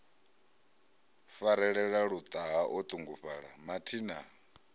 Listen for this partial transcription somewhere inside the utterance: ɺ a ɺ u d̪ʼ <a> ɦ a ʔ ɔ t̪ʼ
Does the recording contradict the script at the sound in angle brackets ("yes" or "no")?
no